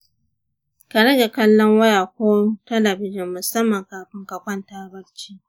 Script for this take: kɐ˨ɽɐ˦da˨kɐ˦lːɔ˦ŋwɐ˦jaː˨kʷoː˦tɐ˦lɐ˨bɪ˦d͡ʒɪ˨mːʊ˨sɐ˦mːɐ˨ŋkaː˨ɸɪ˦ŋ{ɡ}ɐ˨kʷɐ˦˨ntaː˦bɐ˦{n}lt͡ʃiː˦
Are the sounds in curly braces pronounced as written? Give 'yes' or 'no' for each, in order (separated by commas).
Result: no, no